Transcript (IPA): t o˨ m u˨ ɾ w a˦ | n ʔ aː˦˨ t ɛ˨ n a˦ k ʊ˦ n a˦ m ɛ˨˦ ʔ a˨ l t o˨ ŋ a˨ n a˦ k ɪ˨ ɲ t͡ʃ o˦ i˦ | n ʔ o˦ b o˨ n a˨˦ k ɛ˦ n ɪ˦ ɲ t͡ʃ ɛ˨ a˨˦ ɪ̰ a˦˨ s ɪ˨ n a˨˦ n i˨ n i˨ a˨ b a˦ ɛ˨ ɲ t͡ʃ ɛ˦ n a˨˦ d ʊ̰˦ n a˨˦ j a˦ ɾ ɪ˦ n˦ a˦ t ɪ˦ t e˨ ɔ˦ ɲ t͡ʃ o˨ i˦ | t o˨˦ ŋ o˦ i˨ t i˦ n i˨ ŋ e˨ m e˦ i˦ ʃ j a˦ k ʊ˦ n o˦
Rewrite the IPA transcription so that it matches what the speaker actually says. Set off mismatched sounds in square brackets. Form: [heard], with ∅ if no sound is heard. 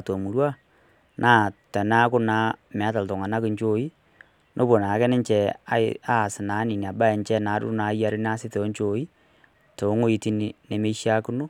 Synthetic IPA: t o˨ m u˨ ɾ w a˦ | n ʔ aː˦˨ t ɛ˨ n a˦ k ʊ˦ n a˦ m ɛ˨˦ [t] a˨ l t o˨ ŋ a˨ n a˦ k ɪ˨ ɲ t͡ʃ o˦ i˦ | n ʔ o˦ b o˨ n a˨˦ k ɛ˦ n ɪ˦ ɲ t͡ʃ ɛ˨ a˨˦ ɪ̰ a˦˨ s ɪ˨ n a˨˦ n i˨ n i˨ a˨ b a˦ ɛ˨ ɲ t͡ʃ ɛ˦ n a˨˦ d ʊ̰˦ n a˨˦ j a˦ ɾ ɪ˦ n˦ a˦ [s] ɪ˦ t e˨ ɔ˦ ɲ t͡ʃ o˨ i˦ | t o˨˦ ŋ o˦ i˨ t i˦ n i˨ [n] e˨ m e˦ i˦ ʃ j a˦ k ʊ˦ n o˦

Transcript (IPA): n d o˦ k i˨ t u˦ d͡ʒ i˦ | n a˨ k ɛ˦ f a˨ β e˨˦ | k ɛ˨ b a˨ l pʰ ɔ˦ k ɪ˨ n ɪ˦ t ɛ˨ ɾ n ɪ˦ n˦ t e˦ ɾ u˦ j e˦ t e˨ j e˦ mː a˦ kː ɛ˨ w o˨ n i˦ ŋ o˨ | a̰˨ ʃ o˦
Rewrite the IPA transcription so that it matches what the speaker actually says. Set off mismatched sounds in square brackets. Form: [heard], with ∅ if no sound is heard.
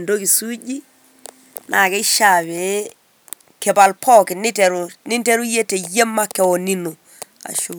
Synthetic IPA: n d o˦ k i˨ [s] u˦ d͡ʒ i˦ | n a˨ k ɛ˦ [ʃ] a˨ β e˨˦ | k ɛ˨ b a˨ l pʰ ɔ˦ k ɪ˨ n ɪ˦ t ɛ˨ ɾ n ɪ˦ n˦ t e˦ ɾ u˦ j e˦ t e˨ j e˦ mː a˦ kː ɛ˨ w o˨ n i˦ [n] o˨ | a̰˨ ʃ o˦

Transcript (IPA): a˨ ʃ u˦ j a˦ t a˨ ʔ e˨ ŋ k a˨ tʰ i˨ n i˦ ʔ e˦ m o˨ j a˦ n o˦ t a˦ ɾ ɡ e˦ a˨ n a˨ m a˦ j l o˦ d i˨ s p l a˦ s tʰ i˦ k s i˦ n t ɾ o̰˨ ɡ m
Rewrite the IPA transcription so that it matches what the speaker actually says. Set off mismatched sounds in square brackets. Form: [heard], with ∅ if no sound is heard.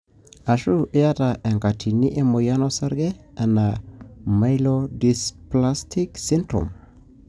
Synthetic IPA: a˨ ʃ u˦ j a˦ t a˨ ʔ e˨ ŋ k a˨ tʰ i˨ n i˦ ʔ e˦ m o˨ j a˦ n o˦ [s] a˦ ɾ ɡ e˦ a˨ n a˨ m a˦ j l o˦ d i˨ s p l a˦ s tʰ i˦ k s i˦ n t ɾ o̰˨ [∅] m

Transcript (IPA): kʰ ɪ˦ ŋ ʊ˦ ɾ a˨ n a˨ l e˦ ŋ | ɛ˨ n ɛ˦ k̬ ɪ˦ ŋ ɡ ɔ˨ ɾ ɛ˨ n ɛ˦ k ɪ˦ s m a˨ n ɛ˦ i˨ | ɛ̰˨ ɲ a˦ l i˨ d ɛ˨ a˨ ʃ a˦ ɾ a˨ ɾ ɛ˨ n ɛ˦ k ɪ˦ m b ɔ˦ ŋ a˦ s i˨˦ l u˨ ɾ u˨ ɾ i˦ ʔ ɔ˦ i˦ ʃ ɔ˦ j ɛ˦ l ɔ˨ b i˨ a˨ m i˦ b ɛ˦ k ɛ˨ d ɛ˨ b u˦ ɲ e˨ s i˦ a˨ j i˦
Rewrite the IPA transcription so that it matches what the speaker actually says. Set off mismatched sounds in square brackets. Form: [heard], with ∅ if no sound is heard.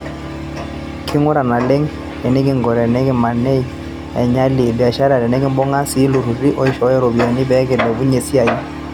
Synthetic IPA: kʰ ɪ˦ ŋ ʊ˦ ɾ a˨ n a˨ l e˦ ŋ | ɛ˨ n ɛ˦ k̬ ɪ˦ ŋ ɡ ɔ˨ ɾ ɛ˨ n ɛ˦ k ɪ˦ [∅] m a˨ n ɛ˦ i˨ | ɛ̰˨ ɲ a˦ l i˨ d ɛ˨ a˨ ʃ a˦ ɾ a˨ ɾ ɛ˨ n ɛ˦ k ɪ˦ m b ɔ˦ ŋ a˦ s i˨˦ l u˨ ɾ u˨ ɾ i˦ ʔ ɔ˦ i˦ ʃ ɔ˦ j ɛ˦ [ɾ] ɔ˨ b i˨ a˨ [n] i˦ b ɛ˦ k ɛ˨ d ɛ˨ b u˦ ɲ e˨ s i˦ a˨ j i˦

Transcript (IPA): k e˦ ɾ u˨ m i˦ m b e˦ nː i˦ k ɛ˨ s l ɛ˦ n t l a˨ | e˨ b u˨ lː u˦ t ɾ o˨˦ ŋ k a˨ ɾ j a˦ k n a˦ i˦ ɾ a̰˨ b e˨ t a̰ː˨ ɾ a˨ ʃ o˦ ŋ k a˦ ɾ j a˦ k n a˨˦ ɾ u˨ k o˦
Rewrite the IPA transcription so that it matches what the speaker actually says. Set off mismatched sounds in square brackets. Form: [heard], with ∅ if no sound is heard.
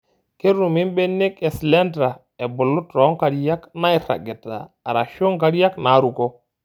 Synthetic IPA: k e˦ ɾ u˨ m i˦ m b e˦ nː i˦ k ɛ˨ s l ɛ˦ n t [ɾ] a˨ | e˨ b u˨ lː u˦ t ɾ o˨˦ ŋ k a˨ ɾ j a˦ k n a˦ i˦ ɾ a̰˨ [ɡ] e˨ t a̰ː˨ ɾ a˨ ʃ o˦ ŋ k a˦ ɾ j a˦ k n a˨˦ ɾ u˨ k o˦

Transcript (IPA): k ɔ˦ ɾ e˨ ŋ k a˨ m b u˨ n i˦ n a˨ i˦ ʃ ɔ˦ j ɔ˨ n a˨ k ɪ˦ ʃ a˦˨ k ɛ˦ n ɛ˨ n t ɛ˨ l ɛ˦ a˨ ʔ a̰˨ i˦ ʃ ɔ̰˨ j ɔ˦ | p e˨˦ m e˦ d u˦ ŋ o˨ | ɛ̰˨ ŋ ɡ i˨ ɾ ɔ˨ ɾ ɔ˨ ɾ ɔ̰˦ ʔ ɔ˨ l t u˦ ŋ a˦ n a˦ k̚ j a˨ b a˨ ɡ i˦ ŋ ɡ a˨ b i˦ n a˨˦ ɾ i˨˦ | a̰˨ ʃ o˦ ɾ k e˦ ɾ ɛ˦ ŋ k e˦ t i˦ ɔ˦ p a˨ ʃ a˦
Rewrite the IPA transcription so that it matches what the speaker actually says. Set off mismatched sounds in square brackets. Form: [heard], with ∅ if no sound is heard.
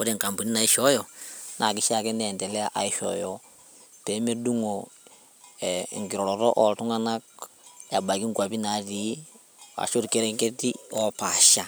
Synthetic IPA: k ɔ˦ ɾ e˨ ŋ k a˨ m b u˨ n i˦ n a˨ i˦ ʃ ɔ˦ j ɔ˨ n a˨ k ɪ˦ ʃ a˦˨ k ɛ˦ n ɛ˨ n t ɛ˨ l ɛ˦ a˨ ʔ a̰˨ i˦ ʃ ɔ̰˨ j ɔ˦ | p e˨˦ m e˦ d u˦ ŋ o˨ | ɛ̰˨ ŋ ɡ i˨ ɾ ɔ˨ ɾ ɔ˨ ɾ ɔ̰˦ ʔ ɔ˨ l t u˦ ŋ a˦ n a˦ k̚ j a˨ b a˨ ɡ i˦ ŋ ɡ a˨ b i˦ n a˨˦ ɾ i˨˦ | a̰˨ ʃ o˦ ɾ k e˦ ɾ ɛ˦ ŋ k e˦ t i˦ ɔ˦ p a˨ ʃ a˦

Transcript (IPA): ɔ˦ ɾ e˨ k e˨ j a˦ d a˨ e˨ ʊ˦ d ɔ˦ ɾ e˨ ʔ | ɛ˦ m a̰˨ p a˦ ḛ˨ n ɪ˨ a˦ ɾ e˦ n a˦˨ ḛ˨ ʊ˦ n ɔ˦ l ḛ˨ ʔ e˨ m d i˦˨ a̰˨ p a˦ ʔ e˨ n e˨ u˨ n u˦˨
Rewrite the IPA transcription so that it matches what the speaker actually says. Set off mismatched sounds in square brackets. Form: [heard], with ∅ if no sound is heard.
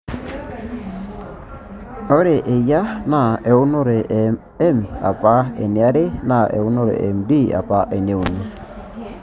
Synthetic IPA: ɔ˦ ɾ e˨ [ʔ] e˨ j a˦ [n] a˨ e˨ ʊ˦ [n] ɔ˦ ɾ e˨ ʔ | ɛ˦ m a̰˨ p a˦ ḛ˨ n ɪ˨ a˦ ɾ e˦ n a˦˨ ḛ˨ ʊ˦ n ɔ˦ [ɾ] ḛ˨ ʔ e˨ m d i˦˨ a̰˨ p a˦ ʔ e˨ n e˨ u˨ n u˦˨

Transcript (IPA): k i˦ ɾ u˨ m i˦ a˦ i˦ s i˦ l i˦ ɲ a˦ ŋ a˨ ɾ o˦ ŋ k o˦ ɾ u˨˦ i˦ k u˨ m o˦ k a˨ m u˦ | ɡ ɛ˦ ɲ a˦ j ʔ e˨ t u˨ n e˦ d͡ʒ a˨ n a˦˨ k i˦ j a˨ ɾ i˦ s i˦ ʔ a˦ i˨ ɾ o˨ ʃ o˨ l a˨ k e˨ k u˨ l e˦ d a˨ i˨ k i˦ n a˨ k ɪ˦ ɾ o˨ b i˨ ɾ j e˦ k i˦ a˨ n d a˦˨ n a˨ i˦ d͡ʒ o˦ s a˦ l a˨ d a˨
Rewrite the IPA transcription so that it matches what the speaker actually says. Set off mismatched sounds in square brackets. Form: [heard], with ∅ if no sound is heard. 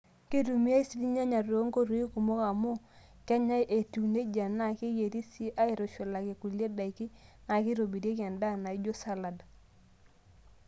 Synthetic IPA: k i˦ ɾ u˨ m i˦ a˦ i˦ s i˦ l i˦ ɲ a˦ [ɲ] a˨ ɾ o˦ ŋ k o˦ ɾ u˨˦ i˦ k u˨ m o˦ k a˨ m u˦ | [k] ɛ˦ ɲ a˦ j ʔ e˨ t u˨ n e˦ d͡ʒ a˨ n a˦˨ k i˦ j [e˨] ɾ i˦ s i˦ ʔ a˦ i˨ ɾ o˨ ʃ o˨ l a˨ k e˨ k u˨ l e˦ d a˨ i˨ k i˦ n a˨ k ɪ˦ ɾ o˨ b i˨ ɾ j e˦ k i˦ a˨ n d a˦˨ n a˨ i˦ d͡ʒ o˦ s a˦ l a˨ d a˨

